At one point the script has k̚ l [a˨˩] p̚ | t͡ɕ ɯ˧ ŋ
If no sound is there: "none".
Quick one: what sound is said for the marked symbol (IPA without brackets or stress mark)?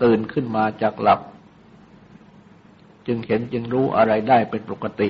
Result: a˨˩